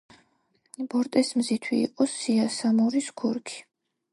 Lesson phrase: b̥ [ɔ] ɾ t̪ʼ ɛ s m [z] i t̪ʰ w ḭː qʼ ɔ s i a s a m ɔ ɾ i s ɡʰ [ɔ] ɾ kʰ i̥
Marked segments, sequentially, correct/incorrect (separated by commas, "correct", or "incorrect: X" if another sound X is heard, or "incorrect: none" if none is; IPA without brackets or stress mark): correct, correct, incorrect: u